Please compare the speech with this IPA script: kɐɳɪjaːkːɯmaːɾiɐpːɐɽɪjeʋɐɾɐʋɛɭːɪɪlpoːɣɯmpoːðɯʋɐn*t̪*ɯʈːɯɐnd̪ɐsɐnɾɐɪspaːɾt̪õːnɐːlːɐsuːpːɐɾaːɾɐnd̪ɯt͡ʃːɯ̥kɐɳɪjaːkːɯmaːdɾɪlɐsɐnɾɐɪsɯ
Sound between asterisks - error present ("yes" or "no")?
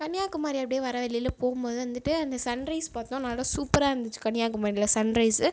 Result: yes